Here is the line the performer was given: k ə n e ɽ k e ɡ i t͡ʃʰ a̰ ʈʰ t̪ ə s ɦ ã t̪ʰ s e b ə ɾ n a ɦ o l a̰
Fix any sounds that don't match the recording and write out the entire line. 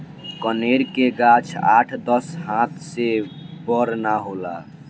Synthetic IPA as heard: k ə n e ɾ k e ɡ a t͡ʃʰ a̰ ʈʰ d̪ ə s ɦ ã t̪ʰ s e b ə ɾ n a ɦ o l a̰